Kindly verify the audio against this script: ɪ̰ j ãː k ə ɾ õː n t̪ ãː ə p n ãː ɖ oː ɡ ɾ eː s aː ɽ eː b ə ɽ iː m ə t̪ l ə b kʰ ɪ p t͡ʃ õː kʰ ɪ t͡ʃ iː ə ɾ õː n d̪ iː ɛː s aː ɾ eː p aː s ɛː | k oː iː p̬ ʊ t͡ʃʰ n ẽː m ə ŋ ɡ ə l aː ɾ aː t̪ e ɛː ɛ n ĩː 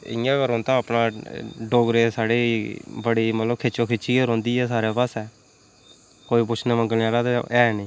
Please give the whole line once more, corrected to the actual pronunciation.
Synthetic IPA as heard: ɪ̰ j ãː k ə ɾ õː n t̪ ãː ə p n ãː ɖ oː ɡ ɾ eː s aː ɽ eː b ə ɽ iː m ə t̪ l ə b kʰ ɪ t͡ʃ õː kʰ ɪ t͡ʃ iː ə ɾ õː n d̪ iː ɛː s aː ɾ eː p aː s ɛː | k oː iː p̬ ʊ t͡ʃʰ n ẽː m ə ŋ ɡ ə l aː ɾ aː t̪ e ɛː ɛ n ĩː